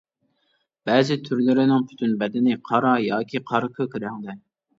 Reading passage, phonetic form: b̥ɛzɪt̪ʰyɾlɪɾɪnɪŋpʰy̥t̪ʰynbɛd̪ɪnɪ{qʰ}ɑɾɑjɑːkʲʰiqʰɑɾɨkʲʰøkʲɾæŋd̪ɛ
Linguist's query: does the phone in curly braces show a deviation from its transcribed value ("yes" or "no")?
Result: no